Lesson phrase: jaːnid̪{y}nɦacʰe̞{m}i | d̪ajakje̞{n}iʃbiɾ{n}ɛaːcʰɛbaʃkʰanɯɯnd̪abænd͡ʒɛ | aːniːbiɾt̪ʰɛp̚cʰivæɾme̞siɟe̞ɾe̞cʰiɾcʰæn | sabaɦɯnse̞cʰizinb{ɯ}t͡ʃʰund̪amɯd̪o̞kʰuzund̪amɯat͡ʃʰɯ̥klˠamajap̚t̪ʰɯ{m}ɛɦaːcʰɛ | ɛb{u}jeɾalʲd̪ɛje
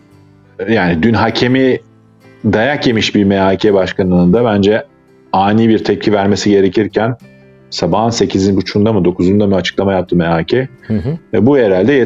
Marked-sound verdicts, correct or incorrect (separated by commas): correct, correct, incorrect, incorrect, incorrect, correct, correct